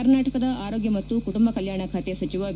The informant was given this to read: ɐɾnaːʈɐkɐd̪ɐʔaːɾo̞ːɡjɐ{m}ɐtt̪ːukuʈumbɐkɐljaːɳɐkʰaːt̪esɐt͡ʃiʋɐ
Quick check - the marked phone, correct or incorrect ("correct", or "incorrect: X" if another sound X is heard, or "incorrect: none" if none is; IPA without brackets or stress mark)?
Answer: correct